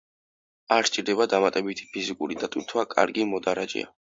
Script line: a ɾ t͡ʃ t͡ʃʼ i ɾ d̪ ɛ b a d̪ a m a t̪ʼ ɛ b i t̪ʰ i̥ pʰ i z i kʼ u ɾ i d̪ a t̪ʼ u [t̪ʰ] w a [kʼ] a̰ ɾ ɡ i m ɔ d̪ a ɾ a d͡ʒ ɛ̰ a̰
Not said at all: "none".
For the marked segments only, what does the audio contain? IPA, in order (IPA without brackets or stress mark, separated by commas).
t̪ʰ, kʼ